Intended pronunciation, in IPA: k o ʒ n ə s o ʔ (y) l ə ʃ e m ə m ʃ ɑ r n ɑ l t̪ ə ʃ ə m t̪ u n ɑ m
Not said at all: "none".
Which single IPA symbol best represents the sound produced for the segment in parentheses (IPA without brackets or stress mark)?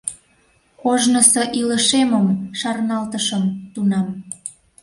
i